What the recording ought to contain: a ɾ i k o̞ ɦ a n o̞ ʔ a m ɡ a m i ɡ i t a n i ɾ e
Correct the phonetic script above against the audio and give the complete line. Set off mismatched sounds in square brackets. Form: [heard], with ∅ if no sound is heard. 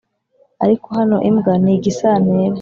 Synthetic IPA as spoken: a ɾ i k o̞ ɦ a n o̞ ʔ [i] m ɡ a [n] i ɡ i [s] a n [e] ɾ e

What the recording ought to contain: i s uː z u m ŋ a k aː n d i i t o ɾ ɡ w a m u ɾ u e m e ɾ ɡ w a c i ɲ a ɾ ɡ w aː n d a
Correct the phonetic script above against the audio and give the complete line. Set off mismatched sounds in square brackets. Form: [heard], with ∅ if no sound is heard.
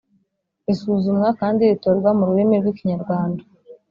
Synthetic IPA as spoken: i s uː z u m ŋ a k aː n d i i t o ɾ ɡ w a m u ɾ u e m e ɾ ɡ w [i] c i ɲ a ɾ ɡ w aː n d a

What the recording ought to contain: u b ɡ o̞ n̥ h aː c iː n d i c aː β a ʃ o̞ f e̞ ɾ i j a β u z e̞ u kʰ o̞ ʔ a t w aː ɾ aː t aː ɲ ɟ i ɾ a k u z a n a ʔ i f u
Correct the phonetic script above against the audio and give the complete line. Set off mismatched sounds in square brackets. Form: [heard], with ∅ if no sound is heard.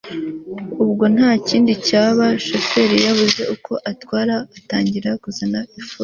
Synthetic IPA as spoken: u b ɡ o̞ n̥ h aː c iː n d i c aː β a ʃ o̞ f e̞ ɾ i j a β u z e̞ u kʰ o̞ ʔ a t w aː ɾ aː t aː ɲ ɟ i ɾ a k u z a n a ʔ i f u

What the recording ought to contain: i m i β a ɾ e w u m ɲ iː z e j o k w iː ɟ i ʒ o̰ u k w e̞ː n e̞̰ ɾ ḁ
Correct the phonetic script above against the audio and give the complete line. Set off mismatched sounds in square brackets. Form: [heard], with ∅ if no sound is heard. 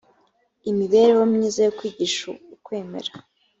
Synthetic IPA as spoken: i m i β [e] ɾ e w [o] m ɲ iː z [a] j o k w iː ɟ i [ʃ] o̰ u k w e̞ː [m] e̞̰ ɾ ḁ

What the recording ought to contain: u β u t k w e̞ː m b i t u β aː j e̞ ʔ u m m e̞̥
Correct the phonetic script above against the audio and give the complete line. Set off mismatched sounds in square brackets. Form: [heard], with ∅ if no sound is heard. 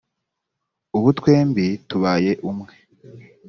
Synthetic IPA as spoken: u β u t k w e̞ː m b i t u β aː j e̞ ʔ u m [ŋ] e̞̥

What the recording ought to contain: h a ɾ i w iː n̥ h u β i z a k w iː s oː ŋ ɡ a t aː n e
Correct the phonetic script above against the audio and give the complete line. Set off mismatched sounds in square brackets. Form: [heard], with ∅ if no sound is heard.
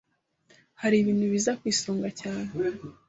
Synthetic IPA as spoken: h a ɾ i [β] iː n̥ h u β i z a k w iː s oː ŋ ɡ a [c] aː n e

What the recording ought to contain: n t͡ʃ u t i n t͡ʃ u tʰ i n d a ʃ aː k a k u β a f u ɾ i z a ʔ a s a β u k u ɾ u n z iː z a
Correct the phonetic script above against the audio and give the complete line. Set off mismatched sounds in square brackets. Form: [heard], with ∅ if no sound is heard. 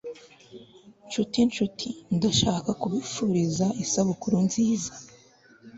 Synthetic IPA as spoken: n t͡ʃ u t i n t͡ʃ u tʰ i n d a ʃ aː k a k u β [i] f u ɾ i z a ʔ [i] s a β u k u ɾ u n z iː z a

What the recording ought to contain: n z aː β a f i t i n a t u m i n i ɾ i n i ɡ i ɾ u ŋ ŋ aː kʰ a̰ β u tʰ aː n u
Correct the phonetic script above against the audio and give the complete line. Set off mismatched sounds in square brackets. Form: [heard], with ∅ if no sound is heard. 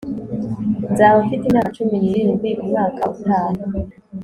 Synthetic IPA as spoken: n z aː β a f i t i n a [t͡ʃ] u m i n i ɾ i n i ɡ i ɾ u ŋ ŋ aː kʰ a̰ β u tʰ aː n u

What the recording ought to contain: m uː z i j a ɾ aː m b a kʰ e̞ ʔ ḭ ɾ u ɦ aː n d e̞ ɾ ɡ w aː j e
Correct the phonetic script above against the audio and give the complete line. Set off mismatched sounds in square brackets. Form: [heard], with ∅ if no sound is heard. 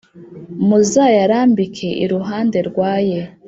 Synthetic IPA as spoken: m [u] z [a] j a ɾ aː m b [i] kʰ e̞ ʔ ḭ ɾ u ɦ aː n d e̞ ɾ ɡ w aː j e

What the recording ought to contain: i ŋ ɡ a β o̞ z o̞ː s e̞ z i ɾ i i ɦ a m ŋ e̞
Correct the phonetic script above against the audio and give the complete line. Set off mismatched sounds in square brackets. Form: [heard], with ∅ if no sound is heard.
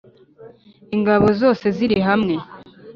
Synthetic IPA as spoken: i ŋ ɡ a β o̞ z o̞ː s e̞ z i ɾ i i ɦ a m ŋ e̞

